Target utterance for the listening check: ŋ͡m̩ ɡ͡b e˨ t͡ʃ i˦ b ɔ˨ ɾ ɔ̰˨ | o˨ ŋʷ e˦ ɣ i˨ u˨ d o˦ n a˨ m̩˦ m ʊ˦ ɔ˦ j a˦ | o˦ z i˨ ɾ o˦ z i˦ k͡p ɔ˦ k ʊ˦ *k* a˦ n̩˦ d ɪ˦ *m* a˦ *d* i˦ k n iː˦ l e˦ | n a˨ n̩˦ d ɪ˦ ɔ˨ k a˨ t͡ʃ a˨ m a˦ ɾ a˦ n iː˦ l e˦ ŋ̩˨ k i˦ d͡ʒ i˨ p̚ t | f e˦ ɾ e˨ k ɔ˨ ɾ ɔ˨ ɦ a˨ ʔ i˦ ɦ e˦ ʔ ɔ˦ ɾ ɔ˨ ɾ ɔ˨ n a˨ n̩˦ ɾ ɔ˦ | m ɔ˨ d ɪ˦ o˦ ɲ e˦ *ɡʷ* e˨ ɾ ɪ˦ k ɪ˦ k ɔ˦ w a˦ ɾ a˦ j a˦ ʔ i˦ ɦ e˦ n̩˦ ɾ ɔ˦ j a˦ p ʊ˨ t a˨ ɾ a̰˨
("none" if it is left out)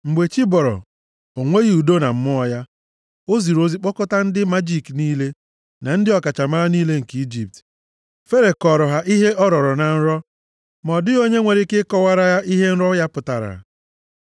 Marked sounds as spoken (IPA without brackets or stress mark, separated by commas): t, m, d͡ʒ, ŋʷ